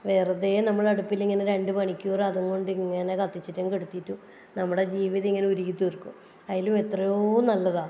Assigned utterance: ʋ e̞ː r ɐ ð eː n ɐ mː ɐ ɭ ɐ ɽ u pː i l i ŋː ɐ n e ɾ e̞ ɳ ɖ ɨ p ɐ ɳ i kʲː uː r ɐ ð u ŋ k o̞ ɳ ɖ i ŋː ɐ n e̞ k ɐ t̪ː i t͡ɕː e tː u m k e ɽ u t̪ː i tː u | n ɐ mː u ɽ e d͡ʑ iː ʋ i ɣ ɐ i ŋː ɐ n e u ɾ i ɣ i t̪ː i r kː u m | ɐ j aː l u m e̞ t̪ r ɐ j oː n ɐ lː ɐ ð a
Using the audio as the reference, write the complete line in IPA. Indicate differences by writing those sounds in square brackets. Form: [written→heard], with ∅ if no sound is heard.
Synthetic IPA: ʋ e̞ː r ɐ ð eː n ɐ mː ɐ ɭ ɐ ɽ u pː i l i ŋː ɐ n e ɾ e̞ ɳ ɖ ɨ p ɐ ɳ i kʲː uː r ɐ ð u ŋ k o̞ ɳ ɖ i ŋː ɐ n e̞ k ɐ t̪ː i t͡ɕː [e→i] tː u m k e ɽ u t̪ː i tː u | n ɐ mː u ɽ e d͡ʑ iː ʋ i [ɣ→ð] ɐ i ŋː ɐ n e u ɾ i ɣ i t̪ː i r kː u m | ɐ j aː l u m e̞ t̪ r ɐ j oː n ɐ lː ɐ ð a